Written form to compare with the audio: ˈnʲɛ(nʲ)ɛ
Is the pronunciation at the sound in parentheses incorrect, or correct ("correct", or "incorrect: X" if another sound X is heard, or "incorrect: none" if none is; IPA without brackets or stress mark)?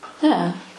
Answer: incorrect: none